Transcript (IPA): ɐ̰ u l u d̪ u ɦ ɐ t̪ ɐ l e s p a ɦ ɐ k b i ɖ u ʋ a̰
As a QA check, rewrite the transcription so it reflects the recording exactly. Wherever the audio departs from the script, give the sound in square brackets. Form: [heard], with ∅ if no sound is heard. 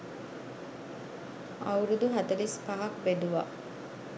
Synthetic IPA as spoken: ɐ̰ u [ɾ] u d̪ u ɦ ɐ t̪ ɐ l [i] s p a ɦ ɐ k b [e] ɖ u ʋ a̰